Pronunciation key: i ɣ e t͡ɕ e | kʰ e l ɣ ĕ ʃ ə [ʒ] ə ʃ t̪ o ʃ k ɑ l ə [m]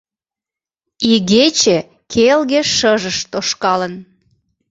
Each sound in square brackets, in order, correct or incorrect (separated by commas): correct, incorrect